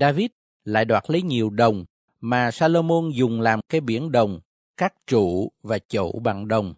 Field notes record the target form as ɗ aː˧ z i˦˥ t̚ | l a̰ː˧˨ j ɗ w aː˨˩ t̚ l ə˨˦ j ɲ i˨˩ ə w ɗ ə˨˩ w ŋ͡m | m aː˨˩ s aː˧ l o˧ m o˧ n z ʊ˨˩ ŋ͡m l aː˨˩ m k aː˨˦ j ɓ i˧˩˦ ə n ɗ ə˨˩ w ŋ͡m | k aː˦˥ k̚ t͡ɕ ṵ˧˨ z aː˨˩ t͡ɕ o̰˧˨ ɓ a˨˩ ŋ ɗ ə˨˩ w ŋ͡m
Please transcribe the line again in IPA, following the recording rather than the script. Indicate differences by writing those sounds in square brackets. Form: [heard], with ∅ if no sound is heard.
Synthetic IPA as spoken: ɗ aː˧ [v] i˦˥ t̚ | l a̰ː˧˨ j ɗ w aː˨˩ t̚ l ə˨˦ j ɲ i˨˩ ə w ɗ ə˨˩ w ŋ͡m | m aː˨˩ s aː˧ l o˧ m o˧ n z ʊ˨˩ ŋ͡m l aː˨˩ m k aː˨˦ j ɓ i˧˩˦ ə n ɗ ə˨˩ w ŋ͡m | k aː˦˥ k̚ t͡ɕ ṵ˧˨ [v] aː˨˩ t͡ɕ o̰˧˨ ɓ a˨˩ ŋ ɗ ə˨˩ w ŋ͡m